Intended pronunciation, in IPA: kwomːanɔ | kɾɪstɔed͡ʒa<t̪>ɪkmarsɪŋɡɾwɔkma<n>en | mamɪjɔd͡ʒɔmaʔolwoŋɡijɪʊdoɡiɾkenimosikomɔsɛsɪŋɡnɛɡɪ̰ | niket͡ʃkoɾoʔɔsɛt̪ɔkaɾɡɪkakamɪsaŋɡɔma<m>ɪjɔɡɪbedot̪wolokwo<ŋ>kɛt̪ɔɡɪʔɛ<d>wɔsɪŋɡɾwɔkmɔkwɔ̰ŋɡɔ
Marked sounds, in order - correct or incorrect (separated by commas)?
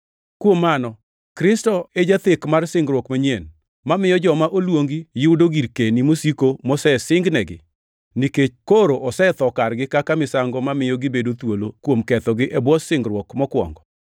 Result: correct, incorrect, correct, incorrect, incorrect